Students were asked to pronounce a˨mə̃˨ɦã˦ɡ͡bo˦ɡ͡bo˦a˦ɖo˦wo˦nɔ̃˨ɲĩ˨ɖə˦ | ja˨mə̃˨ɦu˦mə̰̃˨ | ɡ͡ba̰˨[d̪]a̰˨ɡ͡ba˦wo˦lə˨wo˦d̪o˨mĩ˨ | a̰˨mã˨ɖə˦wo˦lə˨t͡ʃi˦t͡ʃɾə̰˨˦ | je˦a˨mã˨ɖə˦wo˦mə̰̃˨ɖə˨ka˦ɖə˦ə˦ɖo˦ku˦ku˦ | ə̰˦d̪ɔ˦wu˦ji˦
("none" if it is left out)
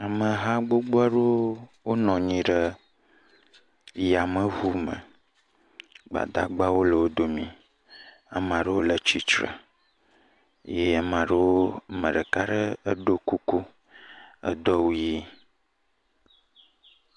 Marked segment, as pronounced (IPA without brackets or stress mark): d̪